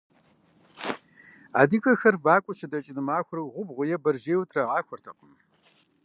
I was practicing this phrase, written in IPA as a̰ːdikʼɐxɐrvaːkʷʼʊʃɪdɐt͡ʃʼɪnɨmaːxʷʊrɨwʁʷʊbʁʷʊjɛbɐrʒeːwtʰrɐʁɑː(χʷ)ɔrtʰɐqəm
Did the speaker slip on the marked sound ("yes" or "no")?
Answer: yes